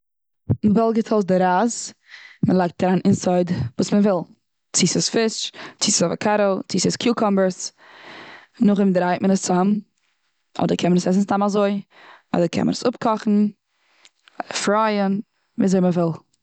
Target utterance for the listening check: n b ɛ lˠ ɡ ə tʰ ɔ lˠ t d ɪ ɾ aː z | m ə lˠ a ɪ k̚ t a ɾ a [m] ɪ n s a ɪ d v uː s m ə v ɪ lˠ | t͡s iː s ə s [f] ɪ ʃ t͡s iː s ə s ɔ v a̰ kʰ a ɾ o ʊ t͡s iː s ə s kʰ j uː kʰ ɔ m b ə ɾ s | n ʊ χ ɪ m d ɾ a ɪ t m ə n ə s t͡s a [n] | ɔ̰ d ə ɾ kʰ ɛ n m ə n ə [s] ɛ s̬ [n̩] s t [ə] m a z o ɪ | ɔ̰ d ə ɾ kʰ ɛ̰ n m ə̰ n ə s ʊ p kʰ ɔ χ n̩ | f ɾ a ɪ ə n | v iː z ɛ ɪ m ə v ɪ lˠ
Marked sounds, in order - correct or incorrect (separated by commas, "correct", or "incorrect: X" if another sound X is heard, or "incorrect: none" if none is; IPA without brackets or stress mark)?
incorrect: n, correct, incorrect: m, correct, correct, incorrect: a